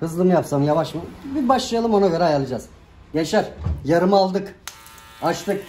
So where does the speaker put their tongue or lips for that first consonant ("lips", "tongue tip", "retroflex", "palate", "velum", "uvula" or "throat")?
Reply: throat